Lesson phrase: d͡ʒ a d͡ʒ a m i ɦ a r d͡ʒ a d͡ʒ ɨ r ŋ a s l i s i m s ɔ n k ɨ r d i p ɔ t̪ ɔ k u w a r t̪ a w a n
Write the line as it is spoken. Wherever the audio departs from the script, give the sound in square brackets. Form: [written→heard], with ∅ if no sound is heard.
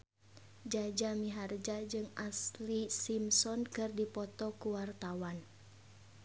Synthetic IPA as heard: d͡ʒ a d͡ʒ a m i ɦ a r d͡ʒ a d͡ʒ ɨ [r→∅] ŋ a s l i s i m s ɔ n k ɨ r d i p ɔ t̪ ɔ k u w a r t̪ a w a n